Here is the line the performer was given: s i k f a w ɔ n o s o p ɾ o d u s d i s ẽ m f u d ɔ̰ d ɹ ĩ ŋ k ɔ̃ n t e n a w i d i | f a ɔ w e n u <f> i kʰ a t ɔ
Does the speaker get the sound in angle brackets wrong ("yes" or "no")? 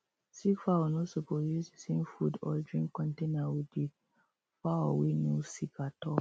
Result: yes